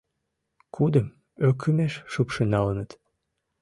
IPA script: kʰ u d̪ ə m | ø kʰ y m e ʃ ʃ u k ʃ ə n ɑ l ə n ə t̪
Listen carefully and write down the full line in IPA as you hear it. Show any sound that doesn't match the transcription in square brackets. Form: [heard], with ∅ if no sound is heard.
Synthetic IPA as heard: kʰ u d̪ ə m | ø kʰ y m e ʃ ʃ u [p] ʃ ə n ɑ l ə n ə t̪